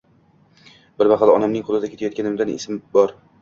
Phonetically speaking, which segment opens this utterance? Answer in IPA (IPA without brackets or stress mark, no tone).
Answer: b